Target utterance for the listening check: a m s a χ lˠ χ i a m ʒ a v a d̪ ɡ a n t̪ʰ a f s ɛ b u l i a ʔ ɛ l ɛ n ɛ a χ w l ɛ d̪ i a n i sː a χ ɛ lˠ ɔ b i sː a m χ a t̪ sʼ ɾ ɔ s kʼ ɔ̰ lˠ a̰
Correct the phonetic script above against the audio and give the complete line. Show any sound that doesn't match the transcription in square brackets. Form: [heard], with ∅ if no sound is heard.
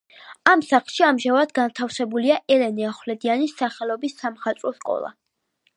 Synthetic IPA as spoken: a m s a χ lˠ [ʃ] i a m ʒ a v a d̪ ɡ a n t̪ʰ a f s ɛ b u l i a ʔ ɛ l ɛ n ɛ a χ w l ɛ d̪ i a n i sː a χ ɛ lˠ ɔ b i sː a m χ a t̪ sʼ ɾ ɔ s kʼ ɔ̰ lˠ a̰